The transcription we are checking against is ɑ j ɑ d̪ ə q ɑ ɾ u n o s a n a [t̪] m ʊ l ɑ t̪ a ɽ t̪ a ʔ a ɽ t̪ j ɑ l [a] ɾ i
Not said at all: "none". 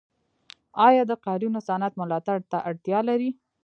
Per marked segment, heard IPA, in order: t̪, a

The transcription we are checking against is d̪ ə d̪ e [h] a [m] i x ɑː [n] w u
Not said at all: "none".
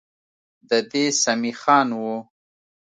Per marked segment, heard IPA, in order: s, m, n

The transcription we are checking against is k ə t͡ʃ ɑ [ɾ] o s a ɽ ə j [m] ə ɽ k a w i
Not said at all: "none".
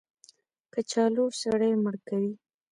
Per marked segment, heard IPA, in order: l, m

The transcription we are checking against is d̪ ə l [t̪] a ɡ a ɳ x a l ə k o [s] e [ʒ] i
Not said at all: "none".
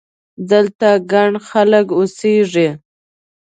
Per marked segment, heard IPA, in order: t̪, s, ʐ

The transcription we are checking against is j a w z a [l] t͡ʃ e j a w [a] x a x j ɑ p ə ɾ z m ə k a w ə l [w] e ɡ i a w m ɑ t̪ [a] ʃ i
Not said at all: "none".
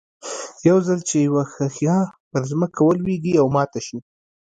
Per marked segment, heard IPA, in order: l, a, w, a

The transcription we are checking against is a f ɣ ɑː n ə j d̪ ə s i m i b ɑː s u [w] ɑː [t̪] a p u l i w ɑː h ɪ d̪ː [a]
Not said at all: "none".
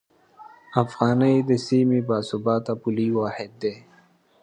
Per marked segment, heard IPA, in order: b, t̪, e

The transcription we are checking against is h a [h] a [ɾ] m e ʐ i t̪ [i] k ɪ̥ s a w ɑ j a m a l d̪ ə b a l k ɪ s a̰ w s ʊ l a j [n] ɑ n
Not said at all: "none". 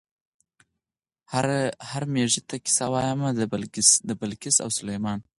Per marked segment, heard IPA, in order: h, ɾ, a, m

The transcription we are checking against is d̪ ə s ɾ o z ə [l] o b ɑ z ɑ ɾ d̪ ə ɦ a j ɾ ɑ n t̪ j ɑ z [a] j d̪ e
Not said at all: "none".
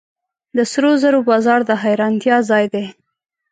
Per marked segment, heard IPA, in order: ɾ, ɑ

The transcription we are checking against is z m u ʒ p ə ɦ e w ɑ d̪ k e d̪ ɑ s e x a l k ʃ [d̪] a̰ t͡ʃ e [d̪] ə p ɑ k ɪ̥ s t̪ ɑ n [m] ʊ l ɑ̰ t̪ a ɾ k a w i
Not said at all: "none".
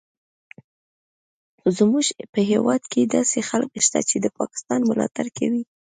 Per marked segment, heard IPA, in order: t̪, d̪, m

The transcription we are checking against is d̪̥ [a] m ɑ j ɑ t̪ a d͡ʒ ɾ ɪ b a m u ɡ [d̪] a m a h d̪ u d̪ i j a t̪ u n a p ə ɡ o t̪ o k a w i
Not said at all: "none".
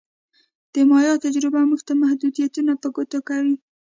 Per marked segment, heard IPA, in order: ə, t̪

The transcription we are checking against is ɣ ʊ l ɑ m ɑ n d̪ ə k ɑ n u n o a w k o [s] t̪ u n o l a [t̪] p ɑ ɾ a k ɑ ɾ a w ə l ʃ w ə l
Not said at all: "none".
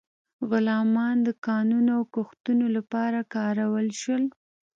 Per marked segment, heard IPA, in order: x, none

